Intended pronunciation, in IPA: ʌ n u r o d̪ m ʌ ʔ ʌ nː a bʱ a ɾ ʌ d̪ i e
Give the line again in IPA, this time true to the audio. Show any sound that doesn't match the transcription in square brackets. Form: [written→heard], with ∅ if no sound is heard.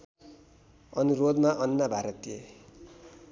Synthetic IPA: ʌ n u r o d̪ m [ʌ→a] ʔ ʌ nː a bʱ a ɾ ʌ [d̪→t̪] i e